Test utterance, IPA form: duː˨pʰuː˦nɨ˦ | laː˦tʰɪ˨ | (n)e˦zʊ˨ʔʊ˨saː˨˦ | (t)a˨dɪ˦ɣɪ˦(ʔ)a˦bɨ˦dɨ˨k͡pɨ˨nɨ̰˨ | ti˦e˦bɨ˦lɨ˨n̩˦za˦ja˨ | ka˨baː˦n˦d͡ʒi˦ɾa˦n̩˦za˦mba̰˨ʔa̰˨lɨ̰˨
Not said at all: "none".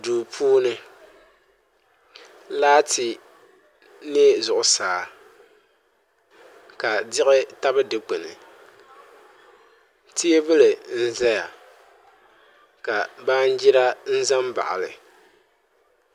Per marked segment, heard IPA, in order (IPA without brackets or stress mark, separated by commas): n, k, t